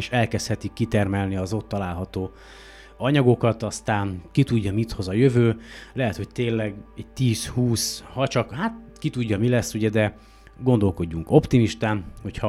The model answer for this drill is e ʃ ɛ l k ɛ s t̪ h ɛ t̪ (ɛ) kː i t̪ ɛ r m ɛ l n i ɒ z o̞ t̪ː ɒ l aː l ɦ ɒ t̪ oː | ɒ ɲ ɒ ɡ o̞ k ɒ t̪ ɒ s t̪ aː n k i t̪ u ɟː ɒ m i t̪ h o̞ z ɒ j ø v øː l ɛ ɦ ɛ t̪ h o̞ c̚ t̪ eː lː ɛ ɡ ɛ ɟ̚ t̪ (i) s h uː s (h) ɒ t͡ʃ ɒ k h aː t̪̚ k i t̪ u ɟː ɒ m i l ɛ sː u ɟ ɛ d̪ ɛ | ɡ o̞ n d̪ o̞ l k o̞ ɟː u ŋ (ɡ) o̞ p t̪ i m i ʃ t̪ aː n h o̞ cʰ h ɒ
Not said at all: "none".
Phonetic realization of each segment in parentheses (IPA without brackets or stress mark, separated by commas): i, iː, h, k